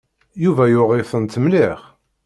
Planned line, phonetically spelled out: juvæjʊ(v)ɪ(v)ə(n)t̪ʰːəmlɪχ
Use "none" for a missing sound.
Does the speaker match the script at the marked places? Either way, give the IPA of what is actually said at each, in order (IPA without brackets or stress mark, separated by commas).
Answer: ʁ, f, n